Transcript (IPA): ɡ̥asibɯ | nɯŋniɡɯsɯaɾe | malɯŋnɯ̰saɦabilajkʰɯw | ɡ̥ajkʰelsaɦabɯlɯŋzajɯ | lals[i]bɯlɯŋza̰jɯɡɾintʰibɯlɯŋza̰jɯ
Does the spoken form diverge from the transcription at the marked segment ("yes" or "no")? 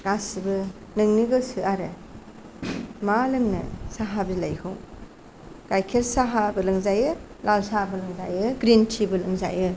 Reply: yes